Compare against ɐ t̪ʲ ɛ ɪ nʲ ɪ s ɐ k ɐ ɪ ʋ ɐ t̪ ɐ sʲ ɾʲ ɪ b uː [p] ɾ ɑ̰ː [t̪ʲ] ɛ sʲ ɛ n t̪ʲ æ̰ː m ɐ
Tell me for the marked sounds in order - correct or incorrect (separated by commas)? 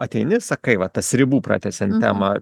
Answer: correct, correct